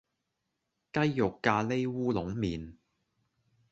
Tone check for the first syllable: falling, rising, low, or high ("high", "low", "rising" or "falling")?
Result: high